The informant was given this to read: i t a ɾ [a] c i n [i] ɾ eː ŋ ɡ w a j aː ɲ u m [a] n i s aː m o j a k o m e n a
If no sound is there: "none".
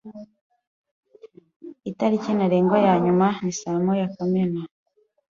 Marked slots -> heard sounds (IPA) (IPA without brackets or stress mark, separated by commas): i, a, a